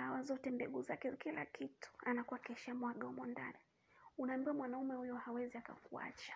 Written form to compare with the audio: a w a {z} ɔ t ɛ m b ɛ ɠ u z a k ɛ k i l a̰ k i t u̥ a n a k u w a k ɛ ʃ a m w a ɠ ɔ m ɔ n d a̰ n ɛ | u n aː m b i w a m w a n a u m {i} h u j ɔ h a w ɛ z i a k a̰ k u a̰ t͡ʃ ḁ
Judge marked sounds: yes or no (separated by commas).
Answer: yes, no